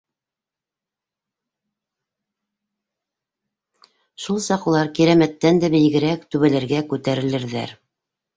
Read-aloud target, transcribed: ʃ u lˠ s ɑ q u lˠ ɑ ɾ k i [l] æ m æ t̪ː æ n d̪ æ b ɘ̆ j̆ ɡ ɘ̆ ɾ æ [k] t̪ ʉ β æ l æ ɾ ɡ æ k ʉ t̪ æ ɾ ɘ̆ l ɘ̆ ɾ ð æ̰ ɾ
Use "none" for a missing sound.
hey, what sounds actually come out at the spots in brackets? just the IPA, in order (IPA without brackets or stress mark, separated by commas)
ɾ, k